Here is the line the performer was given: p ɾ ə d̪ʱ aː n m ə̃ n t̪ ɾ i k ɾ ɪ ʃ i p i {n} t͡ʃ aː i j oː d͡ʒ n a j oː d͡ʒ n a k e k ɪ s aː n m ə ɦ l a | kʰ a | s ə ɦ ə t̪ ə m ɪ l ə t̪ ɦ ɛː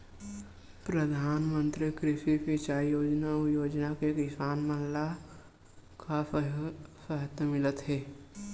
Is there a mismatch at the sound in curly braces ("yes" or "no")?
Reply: yes